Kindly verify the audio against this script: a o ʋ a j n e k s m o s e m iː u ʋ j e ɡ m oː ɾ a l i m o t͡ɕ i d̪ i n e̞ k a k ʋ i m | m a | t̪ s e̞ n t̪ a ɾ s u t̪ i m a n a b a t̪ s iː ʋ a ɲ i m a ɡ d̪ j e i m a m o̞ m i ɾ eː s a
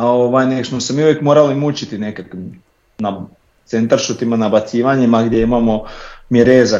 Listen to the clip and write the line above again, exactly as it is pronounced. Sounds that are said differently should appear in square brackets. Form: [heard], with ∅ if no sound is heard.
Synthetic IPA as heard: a o ʋ a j n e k s m o s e m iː u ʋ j e [k] m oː ɾ a l i m [u] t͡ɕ i [t̪] i n e̞ k a k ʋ i m | [n] a | t̪ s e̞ n t̪ a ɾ [ʃ] u t̪ i m a n a b a t̪ s iː ʋ a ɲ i m a ɡ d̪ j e i m a m o̞ m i ɾ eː [z] a